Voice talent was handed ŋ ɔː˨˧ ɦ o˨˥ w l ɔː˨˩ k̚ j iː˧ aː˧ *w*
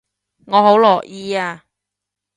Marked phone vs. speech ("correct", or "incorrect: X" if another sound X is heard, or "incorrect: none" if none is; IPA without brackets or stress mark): incorrect: none